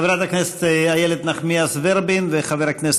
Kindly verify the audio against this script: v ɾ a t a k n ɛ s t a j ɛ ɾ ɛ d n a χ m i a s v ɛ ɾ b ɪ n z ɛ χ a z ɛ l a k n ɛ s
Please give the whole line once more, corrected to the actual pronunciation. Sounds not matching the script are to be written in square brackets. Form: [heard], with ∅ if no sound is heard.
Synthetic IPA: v ɾ a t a k n ɛ s t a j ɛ [l] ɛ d n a χ m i a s v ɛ ɾ b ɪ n [v] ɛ χ a [v] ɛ [ɾ] a k n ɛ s